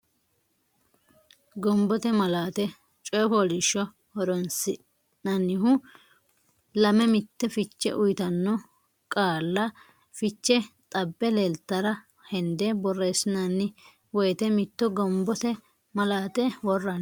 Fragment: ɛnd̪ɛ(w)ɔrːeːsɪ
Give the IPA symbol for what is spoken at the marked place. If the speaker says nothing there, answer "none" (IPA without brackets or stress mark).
b